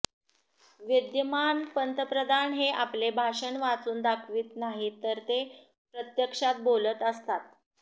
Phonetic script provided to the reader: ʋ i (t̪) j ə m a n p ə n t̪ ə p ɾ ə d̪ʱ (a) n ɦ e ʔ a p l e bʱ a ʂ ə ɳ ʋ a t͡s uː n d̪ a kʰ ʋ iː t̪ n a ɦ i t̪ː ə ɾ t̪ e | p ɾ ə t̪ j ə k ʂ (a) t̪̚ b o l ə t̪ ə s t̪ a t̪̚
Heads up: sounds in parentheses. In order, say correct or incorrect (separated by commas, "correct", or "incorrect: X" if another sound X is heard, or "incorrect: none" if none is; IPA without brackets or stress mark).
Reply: incorrect: d̪, correct, correct